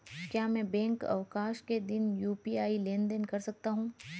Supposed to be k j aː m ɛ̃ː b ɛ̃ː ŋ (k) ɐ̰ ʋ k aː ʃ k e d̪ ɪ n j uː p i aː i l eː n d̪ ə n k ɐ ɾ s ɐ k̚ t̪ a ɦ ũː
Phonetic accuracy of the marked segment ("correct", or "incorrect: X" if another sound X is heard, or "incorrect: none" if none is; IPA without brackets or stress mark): correct